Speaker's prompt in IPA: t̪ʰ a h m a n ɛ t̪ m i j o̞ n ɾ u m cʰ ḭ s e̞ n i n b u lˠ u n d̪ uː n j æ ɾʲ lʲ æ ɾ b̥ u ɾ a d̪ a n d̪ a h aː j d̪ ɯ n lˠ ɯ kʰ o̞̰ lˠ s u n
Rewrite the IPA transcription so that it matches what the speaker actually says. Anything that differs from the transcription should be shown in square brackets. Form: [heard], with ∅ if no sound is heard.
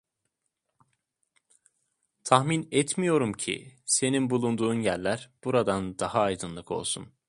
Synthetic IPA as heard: t̪ʰ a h m [i] n ɛ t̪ m i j o̞ [∅] ɾ u m cʰ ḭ s e̞ n i n b u lˠ u n d̪ uː n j æ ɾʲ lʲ æ ɾ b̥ u ɾ a d̪ a n d̪ a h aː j d̪ ɯ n lˠ ɯ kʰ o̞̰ lˠ s u n